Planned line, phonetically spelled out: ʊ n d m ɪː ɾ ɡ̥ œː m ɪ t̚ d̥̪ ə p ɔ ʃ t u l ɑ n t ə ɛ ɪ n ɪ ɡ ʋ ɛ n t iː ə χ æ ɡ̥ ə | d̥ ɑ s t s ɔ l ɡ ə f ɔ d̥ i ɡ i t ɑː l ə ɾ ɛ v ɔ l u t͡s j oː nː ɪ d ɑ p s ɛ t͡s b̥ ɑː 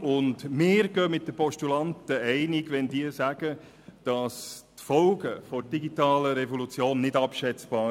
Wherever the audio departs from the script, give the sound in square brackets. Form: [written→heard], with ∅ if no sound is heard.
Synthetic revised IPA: ʊ n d m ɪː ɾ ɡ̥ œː m ɪ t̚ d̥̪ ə p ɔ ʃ t u l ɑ n t ə ɛ ɪ n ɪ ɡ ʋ ɛ n [t→d] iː ə [χ→s] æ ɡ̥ ə | d̥ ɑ s t [s→f] ɔ l ɡ ə f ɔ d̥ i ɡ i t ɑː l ə ɾ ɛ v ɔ l u t͡s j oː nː ɪ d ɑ p [s→ʃ] ɛ t͡s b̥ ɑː